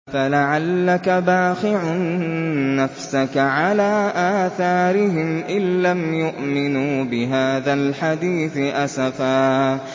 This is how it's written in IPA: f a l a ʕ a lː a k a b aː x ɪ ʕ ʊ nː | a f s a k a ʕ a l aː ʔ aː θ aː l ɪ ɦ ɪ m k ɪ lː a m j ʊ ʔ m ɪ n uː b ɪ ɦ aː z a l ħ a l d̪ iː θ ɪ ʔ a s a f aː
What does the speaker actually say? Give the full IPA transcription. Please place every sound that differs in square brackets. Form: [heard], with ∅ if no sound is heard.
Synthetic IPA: f a l a ʕ a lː a k a b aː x ɪ ʕ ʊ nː | a f s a k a ʕ a l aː ʔ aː θ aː [ɾ] ɪ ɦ ɪ m [ʔ] ɪ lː a m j ʊ ʔ m ɪ n uː b ɪ ɦ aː [ð] a l ħ a [∅] d̪ iː θ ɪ ʔ a s a f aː